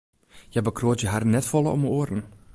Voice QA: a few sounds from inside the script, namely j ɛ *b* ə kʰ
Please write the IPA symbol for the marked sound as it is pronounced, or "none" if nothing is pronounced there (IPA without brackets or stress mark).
b